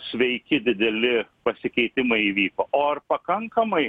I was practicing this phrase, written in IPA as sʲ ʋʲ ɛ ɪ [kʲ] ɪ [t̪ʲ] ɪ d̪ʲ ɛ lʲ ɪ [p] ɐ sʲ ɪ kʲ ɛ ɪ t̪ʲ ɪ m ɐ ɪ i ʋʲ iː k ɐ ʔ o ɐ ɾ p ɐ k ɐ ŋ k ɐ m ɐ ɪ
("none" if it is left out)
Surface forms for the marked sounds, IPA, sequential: kʲ, d̪ʲ, p

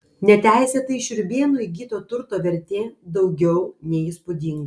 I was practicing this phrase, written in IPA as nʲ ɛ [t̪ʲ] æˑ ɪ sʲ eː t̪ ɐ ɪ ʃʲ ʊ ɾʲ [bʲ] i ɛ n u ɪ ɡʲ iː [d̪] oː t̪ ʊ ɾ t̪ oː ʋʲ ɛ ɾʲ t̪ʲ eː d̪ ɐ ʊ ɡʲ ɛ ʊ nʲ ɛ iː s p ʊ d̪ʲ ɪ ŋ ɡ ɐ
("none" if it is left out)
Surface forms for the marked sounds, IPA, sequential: t̪ʲ, bʲ, t̪

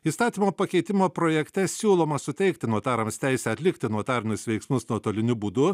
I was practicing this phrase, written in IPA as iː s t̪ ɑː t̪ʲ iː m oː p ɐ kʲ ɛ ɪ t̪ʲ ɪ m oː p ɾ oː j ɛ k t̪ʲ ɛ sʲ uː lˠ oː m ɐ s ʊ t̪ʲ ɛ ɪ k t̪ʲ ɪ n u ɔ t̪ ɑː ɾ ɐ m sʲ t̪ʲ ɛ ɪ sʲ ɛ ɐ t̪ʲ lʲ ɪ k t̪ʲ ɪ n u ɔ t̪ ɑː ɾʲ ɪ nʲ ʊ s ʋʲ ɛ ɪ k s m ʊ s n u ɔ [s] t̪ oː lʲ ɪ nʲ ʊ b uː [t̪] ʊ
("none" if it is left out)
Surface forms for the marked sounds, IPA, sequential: none, d̪

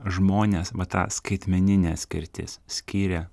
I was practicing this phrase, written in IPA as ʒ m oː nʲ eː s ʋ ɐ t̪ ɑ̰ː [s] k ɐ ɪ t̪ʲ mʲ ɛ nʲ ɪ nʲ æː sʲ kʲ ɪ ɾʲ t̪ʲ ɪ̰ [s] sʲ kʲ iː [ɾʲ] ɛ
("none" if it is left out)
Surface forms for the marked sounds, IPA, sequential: s, s, ɾʲ

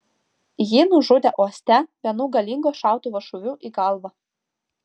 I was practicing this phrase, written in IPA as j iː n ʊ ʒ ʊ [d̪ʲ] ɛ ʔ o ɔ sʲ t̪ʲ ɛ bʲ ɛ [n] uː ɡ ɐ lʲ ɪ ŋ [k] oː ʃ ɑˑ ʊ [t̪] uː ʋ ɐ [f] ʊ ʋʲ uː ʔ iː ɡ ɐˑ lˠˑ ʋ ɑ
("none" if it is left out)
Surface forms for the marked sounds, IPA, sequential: d̪ʲ, n, ɡ, t̪, ʃ

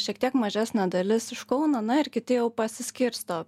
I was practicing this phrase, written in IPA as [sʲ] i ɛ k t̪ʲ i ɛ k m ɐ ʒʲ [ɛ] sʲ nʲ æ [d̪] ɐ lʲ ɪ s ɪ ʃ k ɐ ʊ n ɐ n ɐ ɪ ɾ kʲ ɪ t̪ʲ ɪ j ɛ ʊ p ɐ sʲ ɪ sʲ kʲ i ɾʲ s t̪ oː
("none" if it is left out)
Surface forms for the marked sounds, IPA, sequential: ʃʲ, æ, d̪

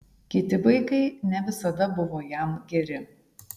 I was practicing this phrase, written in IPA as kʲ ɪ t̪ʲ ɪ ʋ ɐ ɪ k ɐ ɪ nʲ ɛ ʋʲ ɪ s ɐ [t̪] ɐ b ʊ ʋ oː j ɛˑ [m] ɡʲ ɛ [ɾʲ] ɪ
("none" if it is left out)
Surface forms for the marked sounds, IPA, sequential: d̪, m, ɾʲ

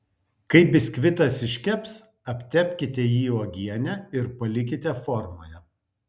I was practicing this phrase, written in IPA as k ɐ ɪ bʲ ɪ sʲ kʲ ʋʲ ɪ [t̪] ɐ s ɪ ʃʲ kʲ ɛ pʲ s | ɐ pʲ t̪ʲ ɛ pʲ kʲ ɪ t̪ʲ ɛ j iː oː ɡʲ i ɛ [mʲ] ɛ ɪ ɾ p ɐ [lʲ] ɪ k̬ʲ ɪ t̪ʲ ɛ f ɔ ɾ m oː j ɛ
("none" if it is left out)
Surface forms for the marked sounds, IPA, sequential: t̪, nʲ, lʲ

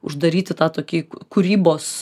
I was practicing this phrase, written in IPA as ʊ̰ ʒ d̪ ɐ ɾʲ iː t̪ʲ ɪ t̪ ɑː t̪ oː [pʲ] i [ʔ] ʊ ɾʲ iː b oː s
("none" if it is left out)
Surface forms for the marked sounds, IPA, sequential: kʲ, k

